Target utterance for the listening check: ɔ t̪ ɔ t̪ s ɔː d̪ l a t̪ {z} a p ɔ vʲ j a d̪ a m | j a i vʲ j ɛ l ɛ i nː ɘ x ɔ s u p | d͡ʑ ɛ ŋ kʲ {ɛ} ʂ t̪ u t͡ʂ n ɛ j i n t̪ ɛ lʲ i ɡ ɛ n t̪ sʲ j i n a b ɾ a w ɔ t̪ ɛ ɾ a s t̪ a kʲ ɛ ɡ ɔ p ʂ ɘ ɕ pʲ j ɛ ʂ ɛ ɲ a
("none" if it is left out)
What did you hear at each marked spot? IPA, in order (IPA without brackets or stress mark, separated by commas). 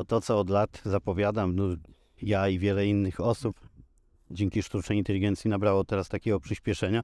z, i